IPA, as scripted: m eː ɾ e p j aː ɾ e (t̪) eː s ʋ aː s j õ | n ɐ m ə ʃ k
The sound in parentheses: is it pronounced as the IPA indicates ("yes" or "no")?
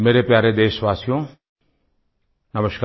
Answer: no